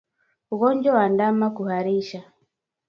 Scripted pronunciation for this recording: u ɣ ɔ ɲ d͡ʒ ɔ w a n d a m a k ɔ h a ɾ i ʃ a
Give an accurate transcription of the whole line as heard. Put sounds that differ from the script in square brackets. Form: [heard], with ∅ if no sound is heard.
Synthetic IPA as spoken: u ɣ ɔ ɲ d͡ʒ ɔ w a n d a m a k [u] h a ɾ i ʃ a